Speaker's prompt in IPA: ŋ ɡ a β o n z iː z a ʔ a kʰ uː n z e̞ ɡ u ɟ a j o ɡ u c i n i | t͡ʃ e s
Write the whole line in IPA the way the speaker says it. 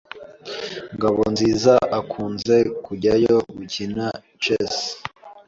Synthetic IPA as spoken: ŋ ɡ a β o n z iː z a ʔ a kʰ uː n z e̞ k u ɟ a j o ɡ u c i n a | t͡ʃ e s